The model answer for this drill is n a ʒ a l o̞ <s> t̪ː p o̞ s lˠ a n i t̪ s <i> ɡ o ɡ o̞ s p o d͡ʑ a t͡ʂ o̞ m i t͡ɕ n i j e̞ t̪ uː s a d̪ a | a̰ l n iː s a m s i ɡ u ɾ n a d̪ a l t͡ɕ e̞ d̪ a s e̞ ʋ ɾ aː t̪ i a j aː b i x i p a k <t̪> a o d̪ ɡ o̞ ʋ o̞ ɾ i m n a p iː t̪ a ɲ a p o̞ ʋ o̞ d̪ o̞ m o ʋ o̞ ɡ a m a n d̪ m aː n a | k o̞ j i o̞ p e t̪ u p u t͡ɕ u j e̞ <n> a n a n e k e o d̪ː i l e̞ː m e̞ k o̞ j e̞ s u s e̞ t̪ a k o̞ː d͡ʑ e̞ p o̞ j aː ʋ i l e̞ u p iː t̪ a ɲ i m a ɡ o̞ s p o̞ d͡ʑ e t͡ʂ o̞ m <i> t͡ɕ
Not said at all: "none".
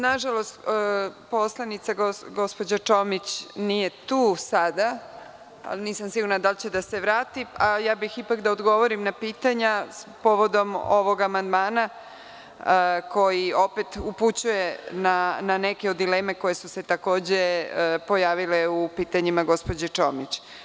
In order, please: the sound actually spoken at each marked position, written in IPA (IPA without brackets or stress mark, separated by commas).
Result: s, a, d̪, n, i